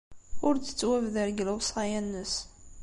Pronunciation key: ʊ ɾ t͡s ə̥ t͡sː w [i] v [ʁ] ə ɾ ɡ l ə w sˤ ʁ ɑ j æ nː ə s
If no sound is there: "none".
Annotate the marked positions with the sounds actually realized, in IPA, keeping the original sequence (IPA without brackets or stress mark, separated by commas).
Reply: æ, ð